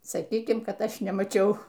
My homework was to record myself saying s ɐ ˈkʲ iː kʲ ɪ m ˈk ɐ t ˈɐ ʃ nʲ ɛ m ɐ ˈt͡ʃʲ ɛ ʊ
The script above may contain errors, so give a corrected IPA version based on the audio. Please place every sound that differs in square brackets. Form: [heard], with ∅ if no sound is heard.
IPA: s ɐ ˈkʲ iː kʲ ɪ m ˈk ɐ t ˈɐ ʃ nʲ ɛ m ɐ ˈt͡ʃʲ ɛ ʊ